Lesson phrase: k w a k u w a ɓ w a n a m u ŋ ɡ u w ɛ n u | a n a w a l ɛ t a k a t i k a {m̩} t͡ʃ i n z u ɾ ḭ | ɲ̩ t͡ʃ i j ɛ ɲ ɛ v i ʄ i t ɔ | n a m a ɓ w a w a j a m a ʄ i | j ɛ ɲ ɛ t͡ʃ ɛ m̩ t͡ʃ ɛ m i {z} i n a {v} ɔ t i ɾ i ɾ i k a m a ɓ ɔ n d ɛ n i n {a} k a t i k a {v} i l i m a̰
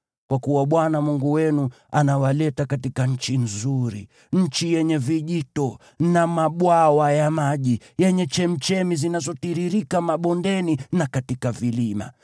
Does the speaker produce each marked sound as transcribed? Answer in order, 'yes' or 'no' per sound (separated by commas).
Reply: no, yes, no, yes, yes